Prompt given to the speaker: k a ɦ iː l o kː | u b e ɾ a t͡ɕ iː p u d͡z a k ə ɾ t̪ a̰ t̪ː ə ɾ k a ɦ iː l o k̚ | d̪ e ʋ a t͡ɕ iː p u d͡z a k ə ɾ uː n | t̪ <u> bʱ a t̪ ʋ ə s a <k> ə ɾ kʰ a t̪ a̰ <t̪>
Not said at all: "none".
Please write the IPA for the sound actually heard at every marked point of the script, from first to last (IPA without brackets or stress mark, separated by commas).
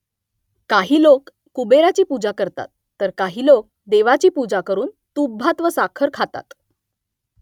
u, kʰ, t̪